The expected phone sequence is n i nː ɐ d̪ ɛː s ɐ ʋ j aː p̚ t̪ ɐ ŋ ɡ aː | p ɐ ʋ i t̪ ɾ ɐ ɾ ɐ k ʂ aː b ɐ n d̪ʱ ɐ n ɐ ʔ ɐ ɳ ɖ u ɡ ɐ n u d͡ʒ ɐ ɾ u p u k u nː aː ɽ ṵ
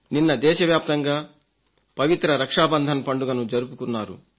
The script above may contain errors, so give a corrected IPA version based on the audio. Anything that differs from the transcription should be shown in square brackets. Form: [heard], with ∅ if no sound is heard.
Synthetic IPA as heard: n i nː ɐ d̪ ɛː [ʃ] ɐ ʋ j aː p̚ t̪ ɐ ŋ ɡ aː | p ɐ ʋ i t̪ ɾ ɐ ɾ ɐ k ʂ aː b ɐ n d̪ʱ ɐ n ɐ [p] ɐ ɳ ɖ u ɡ ɐ n u d͡ʒ ɐ ɾ u p u k u nː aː [ɾ] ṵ